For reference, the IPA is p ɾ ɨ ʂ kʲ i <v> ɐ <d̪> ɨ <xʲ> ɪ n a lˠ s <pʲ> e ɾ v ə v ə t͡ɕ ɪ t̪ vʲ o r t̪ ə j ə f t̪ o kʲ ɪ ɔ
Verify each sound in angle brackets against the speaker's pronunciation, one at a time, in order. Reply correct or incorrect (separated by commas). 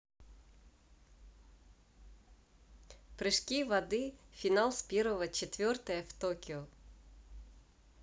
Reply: correct, correct, incorrect, correct